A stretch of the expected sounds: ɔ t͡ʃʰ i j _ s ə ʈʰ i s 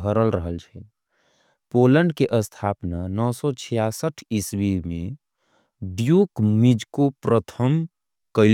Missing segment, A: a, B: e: A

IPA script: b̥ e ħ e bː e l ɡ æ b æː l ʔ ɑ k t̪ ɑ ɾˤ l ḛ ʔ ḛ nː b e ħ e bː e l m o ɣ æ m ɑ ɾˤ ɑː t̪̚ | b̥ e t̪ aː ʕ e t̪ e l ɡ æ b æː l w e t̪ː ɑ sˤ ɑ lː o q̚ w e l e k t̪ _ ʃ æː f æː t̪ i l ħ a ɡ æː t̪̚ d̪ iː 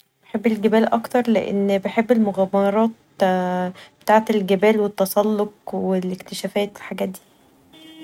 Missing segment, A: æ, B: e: B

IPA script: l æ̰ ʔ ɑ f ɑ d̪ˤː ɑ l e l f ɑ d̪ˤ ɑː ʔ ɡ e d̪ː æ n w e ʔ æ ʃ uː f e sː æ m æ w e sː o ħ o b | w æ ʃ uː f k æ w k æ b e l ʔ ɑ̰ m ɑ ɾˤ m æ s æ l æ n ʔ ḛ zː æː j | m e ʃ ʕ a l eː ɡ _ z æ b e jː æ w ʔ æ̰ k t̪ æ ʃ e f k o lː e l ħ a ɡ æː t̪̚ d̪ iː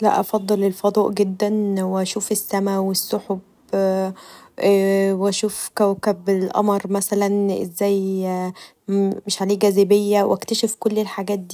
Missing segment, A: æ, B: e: A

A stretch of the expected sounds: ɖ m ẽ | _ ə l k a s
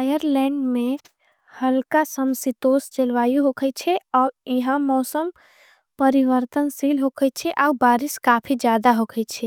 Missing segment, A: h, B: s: A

